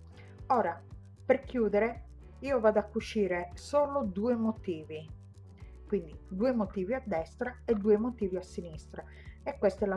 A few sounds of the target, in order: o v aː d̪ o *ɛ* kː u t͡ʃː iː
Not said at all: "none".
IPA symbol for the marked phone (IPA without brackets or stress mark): a